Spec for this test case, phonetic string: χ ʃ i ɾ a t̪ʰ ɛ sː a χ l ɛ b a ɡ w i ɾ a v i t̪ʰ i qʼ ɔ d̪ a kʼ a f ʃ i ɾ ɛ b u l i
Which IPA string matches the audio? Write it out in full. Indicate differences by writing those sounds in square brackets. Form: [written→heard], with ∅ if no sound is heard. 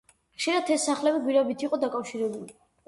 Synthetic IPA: χ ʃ i ɾ a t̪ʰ ɛ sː a χ l ɛ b [a→i] ɡ w i ɾ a [v→b] i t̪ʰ i qʼ ɔ d̪ a kʼ a f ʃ i ɾ ɛ b u l i